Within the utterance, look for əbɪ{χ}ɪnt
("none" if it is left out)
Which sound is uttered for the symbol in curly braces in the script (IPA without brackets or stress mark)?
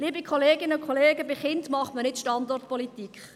χ